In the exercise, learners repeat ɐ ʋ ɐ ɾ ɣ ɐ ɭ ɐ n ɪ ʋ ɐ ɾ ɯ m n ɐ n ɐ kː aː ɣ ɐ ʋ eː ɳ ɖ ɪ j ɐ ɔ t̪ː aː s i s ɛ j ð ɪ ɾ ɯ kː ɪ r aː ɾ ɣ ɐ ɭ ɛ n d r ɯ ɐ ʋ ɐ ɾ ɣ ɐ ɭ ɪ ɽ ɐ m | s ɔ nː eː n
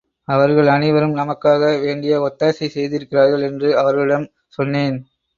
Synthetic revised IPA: ɐ ʋ ɐ ɾ ɣ ɐ ɭ ɐ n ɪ ʋ ɐ ɾ ɯ m n ɐ m ɐ kː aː ɣ ɐ ʋ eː ɳ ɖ ɪ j ɐ ɔ t̪ː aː s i s ɛ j ð ɪ ɾ ɯ kː ɪ r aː ɾ ɣ ɐ ɭ ɛ n d r ɯ ɐ ʋ ɐ ɾ ɣ ɐ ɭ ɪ ɽ ɐ m | s ɔ nː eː n